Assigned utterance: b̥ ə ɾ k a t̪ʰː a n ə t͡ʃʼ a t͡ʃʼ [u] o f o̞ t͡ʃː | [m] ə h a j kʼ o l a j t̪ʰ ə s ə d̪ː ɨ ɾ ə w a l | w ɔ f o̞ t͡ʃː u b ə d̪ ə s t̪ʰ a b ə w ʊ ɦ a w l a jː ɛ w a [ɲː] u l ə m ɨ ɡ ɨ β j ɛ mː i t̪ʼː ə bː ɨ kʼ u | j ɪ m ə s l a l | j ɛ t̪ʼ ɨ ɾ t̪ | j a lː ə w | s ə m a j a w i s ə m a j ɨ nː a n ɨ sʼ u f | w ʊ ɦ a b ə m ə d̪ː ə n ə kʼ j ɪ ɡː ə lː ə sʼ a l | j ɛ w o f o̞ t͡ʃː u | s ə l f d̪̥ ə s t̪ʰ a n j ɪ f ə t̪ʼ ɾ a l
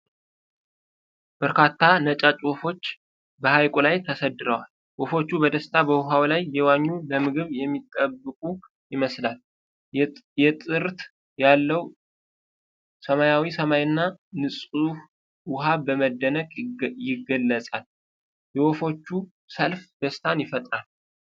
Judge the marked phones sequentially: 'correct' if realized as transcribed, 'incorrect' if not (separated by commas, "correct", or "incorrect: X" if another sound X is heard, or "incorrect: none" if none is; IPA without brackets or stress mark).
incorrect: w, incorrect: b, correct